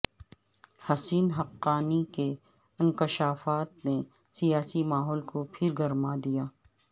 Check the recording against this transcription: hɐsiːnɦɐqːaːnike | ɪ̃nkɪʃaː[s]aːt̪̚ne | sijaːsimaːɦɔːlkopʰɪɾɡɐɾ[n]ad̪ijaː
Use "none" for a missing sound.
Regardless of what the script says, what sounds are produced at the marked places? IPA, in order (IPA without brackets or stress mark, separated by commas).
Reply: f, m